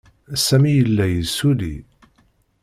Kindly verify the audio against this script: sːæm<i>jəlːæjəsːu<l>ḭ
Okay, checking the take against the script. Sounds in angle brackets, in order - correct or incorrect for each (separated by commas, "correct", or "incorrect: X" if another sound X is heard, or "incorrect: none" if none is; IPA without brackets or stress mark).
correct, correct